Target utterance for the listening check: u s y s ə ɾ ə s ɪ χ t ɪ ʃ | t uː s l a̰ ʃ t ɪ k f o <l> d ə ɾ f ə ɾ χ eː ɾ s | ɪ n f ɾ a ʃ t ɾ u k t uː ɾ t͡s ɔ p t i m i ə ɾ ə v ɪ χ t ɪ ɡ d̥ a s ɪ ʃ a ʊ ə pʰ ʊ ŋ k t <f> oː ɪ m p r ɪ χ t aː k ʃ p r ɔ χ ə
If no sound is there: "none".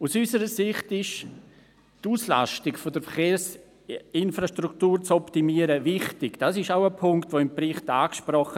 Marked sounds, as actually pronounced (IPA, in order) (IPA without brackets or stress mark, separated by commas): none, v